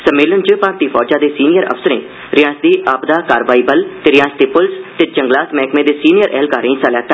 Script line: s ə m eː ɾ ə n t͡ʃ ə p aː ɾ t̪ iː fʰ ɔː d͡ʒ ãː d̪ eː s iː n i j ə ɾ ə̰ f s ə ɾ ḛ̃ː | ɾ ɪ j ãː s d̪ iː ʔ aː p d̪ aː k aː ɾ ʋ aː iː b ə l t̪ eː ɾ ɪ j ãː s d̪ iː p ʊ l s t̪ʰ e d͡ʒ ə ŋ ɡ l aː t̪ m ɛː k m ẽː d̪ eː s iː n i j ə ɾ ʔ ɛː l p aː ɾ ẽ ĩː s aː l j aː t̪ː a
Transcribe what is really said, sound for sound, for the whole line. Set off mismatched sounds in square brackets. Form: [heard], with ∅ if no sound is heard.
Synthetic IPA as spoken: s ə m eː [l] ə n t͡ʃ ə p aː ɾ t̪ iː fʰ ɔː d͡ʒ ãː d̪ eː s iː n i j ə ɾ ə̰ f s ə ɾ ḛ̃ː | ɾ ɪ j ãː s d̪ iː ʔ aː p d̪ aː k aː ɾ ʋ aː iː b ə l t̪ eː ɾ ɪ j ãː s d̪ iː p ʊ l s [t̪] e d͡ʒ ə ŋ ɡ l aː t̪ m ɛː k m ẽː d̪ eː s iː n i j ə ɾ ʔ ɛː l [k] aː ɾ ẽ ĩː s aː l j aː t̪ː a